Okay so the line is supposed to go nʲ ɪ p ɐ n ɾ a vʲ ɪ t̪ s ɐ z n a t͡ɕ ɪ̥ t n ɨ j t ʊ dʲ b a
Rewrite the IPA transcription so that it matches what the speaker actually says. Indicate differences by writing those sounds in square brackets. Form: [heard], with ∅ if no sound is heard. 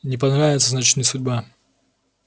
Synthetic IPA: nʲ ɪ p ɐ n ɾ a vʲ ɪ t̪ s [ə] z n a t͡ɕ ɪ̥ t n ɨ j [s] ʊ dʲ b a

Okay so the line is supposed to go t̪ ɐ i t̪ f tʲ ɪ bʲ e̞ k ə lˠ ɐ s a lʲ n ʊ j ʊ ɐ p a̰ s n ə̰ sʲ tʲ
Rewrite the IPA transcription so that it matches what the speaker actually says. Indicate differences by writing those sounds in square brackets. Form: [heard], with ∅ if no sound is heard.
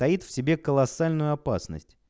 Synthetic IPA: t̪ ɐ i t̪ f [sʲ] ɪ bʲ e̞ k ə lˠ ɐ s a lʲ n ʊ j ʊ ɐ p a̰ s n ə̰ sʲ tʲ

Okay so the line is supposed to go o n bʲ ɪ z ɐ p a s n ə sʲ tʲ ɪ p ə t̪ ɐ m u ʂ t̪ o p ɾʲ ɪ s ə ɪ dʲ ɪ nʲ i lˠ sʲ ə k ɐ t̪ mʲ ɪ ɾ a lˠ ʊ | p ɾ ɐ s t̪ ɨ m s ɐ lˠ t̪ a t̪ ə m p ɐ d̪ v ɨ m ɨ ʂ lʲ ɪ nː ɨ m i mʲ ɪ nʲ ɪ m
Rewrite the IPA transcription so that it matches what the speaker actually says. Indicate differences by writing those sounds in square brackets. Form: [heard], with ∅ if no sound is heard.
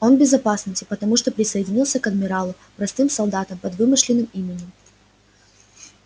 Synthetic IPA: o n bʲ ɪ z ɐ p a s n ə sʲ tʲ ɪ p ə t̪ ɐ m u ʂ t̪ o p ɾʲ ɪ s ə ɪ dʲ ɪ nʲ i lˠ sʲ ə k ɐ [d̪] mʲ ɪ ɾ a lˠ ʊ | p ɾ ɐ s t̪ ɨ m s ɐ lˠ [d̪] a t̪ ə m p ɐ d̪ v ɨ m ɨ ʂ lʲ ɪ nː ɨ m i mʲ ɪ nʲ ɪ m

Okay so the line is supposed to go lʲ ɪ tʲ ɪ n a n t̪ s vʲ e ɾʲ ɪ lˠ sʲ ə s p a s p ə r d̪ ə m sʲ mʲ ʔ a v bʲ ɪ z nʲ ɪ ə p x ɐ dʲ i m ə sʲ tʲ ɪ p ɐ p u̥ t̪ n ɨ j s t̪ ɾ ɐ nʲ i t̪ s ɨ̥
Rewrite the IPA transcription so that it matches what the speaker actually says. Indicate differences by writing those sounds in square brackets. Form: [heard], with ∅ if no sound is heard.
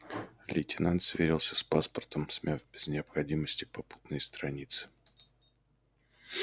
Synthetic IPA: lʲ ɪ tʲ ɪ n a n t̪ s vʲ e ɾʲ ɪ lˠ sʲ ə s p a s p ə r [t̪] ə m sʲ mʲ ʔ a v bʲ ɪ z nʲ ɪ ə p x ɐ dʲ i m ə sʲ tʲ ɪ p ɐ p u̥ t̪ n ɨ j s t̪ ɾ ɐ nʲ i t̪ s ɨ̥

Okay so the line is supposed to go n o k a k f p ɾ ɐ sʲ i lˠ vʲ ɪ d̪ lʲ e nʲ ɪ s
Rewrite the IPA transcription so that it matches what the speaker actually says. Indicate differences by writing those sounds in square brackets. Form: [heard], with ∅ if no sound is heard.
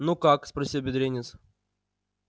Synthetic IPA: n [u] k a k [s] p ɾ ɐ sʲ i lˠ [bʲ] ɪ d̪ [ɾʲ] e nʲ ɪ s

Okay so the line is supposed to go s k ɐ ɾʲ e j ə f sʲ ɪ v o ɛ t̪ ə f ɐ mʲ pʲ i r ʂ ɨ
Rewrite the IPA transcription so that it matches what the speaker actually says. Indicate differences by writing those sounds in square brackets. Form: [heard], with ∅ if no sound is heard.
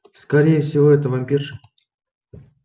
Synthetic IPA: s k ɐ ɾʲ e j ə f sʲ ɪ v o ɛ t̪ ə [v] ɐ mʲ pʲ i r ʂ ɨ

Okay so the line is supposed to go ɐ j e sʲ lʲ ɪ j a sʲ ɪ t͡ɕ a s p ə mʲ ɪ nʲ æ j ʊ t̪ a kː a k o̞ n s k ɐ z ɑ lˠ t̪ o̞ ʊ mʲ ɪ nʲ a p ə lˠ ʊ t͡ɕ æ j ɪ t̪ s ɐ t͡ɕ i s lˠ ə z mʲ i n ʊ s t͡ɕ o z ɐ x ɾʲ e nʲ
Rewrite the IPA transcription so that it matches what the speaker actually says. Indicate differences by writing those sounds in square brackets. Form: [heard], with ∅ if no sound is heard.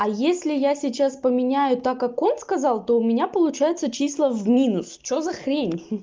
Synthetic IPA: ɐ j e sʲ lʲ ɪ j a sʲ ɪ t͡ɕ a s p ə mʲ ɪ nʲ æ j ʊ t̪ a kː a k o̞ n s k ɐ z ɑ lˠ t̪ o̞ ʊ mʲ ɪ nʲ a p ə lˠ ʊ t͡ɕ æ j ɪ t̪ s [ə] t͡ɕ i s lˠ ə [v] mʲ i n ʊ s t͡ɕ o z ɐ x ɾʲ e nʲ

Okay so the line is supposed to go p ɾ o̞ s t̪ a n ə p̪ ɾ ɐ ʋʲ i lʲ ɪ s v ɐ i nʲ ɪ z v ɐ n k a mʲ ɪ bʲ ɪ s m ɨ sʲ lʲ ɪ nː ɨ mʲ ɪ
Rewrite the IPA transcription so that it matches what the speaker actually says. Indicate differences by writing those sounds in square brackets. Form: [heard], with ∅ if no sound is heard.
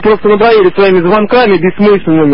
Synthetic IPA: p ɾ o̞ s t̪ [ə] n ə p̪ ɾ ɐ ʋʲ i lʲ ɪ s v ɐ i [mʲ] ɪ z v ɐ n k a mʲ ɪ bʲ ɪ s m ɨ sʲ lʲ ɪ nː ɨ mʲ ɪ

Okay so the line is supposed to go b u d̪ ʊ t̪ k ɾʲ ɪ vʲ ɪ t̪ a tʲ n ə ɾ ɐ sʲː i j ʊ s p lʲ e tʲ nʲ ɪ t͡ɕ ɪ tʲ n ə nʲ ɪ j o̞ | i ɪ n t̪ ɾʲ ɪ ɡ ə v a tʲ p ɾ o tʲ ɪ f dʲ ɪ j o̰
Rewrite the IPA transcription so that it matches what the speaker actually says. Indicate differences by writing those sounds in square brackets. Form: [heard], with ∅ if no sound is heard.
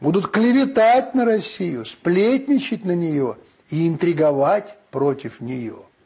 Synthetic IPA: b u d̪ ʊ t̪ k [lʲ] ɪ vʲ ɪ t̪ a tʲ n ə ɾ ɐ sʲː i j ʊ s p lʲ e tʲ nʲ ɪ t͡ɕ ɪ tʲ n ə nʲ ɪ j o̞ | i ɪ n t̪ ɾʲ ɪ ɡ [ɐ] v a tʲ p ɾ o tʲ ɪ f [nʲ] ɪ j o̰

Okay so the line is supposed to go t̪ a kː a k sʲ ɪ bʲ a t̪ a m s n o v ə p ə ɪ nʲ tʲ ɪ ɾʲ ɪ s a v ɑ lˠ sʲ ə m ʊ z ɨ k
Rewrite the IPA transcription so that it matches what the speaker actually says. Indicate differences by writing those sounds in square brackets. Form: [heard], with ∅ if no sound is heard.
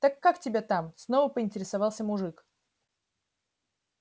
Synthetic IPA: t̪ a kː a k [tʲ] ɪ bʲ a t̪ a m s n o v ə p ə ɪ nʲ tʲ ɪ ɾʲ ɪ s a v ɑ lˠ sʲ ə m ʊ [ʐ] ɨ k

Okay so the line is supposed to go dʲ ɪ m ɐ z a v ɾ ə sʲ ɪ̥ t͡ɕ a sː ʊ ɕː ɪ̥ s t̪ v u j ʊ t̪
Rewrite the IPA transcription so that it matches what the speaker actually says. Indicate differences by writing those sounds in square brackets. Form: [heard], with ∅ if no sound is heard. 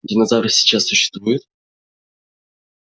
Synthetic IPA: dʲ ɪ [n] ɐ z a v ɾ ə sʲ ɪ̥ t͡ɕ a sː ʊ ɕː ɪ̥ s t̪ v u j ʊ t̪

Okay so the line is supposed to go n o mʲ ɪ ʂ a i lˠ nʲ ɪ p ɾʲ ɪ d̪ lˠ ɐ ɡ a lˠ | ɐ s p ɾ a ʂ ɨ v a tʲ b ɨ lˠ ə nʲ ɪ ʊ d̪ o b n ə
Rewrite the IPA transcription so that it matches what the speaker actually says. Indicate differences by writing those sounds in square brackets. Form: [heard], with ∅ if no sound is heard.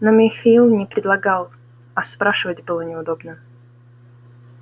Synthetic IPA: n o mʲ ɪ [x] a i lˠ nʲ ɪ p ɾʲ ɪ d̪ lˠ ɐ ɡ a lˠ | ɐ s p ɾ a ʂ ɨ v [ə] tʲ b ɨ lˠ ə nʲ ɪ ʊ d̪ o b n ə

